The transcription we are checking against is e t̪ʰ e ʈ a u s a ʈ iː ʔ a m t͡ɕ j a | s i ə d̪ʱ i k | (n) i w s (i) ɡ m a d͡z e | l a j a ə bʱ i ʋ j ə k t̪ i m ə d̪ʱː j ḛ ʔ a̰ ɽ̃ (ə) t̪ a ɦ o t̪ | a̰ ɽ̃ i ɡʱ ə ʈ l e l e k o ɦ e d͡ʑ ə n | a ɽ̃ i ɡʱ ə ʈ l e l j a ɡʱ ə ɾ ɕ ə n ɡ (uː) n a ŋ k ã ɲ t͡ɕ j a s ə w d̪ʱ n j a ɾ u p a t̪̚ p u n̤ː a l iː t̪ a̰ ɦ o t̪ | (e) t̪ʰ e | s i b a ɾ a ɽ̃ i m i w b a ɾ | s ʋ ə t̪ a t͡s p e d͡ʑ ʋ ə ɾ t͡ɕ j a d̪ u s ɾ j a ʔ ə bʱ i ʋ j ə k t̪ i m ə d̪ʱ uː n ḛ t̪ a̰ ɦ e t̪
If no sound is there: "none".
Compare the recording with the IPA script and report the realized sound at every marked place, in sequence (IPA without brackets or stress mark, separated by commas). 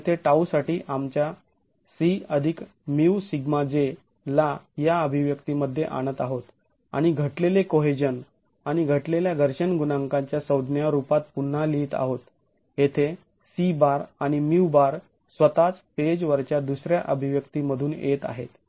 m, i, ə, u, e